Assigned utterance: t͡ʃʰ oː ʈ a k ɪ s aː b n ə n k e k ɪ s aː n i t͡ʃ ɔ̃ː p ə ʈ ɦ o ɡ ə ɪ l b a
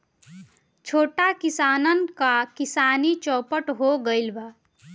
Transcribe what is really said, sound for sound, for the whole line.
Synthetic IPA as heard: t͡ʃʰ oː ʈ a k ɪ s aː n ə n k a k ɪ s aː n i t͡ʃ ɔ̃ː p ə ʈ ɦ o ɡ ə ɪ l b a